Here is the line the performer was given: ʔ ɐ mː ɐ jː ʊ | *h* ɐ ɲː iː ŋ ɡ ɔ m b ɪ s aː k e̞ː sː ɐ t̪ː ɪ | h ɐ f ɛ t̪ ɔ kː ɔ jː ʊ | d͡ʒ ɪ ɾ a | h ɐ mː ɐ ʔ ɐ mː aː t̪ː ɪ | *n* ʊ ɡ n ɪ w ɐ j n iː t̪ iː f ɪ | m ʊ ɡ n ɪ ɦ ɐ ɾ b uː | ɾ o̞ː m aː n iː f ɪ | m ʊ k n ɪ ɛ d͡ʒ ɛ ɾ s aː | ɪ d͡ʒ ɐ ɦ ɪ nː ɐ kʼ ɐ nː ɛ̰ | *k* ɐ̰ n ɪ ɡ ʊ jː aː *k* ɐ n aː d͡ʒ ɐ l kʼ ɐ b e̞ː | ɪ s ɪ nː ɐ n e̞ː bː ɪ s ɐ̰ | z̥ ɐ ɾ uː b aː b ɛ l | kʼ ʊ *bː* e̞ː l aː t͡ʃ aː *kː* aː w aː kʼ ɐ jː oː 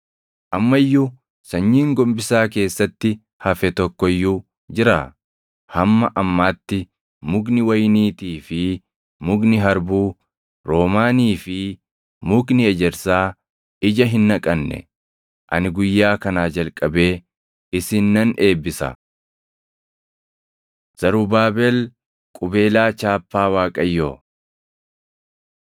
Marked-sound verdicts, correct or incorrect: incorrect: s, incorrect: m, incorrect: ʔ, correct, incorrect: b, incorrect: pː

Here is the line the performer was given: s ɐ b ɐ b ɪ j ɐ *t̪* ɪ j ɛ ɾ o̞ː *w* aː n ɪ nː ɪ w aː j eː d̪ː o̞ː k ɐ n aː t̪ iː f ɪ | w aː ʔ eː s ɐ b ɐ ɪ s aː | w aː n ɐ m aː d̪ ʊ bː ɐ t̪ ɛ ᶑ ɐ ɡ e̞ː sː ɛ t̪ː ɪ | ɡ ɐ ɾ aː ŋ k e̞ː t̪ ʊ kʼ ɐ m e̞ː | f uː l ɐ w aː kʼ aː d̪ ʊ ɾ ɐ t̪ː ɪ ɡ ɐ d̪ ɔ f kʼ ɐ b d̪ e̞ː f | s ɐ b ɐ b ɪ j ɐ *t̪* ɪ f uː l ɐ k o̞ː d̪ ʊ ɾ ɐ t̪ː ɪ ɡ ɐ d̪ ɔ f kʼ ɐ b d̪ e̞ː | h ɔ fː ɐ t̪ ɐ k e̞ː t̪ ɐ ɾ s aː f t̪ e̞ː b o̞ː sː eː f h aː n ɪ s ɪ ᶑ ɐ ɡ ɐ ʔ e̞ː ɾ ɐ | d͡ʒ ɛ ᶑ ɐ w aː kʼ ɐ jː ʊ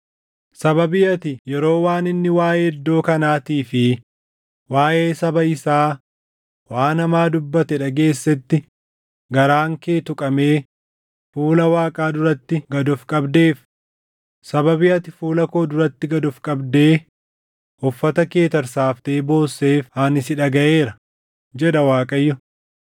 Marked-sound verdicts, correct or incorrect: correct, correct, correct

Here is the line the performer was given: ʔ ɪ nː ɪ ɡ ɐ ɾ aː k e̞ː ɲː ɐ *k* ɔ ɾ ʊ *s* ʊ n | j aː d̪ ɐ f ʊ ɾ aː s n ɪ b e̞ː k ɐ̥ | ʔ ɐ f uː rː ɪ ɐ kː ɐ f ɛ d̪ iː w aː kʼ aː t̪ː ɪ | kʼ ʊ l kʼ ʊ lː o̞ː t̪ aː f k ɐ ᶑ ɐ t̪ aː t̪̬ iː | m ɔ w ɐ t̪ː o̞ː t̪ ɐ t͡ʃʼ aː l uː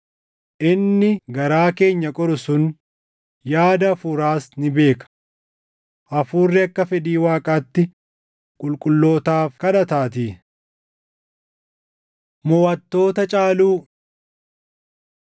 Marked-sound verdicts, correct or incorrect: incorrect: kʼ, correct

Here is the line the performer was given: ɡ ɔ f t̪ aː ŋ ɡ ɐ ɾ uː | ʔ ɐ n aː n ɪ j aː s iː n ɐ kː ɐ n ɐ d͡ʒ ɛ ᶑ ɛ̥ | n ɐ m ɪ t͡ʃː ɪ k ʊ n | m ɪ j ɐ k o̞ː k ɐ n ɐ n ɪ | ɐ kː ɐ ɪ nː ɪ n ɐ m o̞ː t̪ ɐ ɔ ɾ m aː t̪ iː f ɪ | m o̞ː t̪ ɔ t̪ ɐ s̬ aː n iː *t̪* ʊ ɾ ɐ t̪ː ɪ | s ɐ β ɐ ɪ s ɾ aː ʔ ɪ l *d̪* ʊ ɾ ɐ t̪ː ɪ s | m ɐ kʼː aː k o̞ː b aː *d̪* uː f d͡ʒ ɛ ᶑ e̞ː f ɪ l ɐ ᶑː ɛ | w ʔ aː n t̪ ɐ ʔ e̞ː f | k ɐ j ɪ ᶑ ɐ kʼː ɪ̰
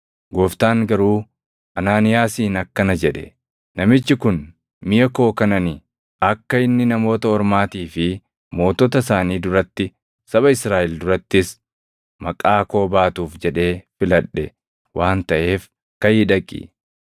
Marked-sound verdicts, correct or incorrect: incorrect: d̪, correct, incorrect: t̪

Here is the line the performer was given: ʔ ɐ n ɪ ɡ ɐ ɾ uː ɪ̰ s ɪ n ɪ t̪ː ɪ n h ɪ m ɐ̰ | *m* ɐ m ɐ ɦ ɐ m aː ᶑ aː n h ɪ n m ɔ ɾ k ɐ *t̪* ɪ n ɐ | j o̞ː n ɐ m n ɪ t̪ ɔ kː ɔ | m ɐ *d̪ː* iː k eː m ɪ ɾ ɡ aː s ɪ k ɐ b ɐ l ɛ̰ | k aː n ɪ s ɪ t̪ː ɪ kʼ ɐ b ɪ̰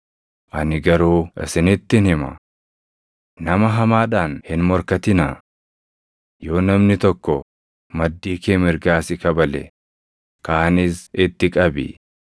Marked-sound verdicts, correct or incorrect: incorrect: n, correct, correct

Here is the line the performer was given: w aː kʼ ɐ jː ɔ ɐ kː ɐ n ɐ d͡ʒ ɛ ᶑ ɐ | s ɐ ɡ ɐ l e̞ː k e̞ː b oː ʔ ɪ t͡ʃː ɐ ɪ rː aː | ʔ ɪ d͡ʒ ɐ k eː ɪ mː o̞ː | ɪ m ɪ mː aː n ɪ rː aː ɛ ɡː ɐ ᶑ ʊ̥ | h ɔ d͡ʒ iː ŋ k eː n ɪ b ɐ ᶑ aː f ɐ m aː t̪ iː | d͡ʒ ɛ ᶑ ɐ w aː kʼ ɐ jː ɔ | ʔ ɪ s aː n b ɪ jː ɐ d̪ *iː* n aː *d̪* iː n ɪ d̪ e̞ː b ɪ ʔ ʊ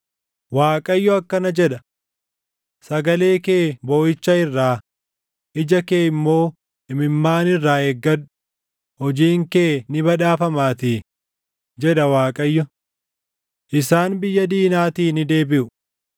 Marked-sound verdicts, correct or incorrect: correct, incorrect: t̪

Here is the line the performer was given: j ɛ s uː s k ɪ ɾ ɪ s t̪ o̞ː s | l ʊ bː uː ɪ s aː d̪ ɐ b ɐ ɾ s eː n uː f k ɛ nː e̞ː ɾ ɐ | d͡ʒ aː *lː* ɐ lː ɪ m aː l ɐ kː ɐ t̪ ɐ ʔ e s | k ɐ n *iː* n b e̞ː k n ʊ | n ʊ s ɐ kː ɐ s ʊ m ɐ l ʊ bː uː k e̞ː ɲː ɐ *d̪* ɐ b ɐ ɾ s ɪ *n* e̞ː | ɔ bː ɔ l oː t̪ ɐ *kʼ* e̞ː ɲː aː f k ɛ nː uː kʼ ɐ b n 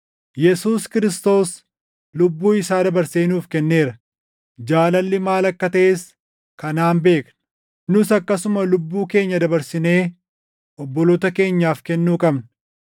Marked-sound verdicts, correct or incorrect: incorrect: l, incorrect: aː, correct, correct, incorrect: k

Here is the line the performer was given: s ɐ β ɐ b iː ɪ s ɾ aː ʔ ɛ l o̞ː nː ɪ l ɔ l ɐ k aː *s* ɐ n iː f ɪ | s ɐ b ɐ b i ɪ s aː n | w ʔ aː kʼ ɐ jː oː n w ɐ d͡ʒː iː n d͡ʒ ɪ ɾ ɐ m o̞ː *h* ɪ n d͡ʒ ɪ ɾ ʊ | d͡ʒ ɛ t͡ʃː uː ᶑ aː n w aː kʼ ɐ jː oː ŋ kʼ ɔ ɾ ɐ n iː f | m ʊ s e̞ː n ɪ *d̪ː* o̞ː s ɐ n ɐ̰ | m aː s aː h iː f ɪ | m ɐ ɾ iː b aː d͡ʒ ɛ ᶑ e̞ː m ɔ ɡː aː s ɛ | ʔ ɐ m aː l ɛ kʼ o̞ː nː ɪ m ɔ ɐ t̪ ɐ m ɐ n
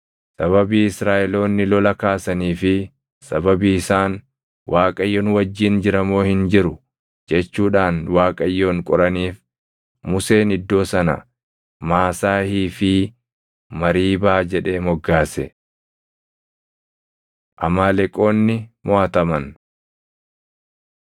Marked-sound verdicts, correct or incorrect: correct, correct, correct

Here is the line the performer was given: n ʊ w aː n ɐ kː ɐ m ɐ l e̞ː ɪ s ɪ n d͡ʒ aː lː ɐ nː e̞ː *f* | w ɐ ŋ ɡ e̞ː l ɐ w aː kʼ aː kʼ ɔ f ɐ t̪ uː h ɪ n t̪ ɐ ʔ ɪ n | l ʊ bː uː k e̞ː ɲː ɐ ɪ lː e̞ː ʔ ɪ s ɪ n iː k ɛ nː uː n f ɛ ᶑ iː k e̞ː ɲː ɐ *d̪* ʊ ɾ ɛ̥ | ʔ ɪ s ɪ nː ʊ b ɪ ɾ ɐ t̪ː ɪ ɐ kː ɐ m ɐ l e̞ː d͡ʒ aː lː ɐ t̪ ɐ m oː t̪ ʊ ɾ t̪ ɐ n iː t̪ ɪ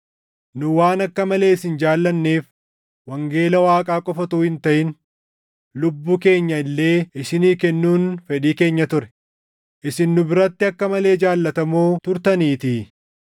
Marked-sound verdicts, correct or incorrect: correct, incorrect: t̪

